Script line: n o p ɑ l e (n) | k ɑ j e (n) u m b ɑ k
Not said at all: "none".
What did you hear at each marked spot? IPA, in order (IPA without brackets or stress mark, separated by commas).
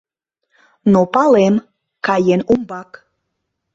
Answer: m, n